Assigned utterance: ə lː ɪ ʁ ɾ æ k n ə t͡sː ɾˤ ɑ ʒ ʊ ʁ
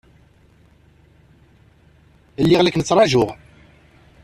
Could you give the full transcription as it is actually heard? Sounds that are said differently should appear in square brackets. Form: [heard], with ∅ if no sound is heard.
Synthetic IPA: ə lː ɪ ʁ [l] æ k n ə t͡sː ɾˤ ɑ ʒ ʊ ʁ